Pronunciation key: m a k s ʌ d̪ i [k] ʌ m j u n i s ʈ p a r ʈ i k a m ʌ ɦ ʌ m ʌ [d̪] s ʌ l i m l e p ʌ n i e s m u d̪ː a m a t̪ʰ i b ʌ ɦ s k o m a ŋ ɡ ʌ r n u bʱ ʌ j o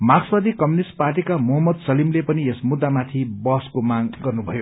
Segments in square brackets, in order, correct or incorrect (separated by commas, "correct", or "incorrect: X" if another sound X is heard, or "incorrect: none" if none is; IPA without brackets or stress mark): correct, correct